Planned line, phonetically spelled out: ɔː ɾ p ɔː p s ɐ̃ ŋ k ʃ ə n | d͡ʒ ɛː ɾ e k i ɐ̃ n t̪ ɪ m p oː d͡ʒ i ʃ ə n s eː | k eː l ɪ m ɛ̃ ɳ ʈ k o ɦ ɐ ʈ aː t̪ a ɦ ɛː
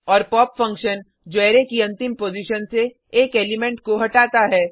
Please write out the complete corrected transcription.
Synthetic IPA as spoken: ɔː ɾ p ɔː p f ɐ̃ ŋ k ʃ ə n | d͡ʒ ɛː ɾ e k i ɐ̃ n t̪ ɪ m p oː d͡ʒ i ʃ ə n s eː | k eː l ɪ m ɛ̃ ɳ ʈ k o ɦ ɐ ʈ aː t̪ a ɦ ɛː